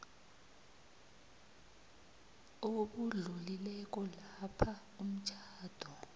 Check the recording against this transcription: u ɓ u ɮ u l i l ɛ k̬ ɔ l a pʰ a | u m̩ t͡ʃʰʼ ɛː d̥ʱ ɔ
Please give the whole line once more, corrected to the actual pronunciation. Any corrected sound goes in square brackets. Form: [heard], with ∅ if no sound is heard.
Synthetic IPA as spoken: [o] ɓ u ɮ u l i l ɛ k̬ ɔ l a pʰ a | u m̩ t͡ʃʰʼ [aː] d̥ʱ ɔ